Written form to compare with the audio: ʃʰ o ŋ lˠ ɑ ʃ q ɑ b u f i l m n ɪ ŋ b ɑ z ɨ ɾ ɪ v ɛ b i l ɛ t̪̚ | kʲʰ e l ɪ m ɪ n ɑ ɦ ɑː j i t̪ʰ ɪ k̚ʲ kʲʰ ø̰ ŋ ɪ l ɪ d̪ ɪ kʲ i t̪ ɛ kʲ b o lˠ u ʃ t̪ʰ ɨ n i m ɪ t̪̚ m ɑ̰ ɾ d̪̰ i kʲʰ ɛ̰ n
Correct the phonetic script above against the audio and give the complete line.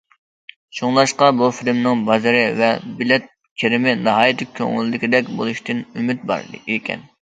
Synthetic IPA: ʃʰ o ŋ lˠ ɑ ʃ q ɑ b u f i l m n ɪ ŋ b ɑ z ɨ ɾ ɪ v ɛ b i l ɛ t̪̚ | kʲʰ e ɾ ɪ m ɪ n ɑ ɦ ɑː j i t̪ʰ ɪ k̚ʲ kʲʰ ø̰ ŋ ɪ l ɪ d̪ ɪ kʲ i d̪ ɛ kʲ b o lˠ u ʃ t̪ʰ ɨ n y m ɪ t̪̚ b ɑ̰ ɾ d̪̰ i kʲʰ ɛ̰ n